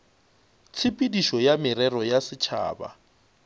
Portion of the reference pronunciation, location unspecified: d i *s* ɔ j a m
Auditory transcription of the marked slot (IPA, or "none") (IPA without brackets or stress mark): ʃ